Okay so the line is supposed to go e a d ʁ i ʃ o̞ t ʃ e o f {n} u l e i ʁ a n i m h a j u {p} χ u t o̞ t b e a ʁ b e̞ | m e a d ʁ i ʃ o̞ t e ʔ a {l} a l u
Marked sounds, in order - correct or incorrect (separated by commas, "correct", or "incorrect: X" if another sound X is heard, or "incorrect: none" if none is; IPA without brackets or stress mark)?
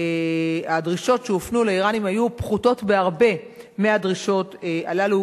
correct, correct, correct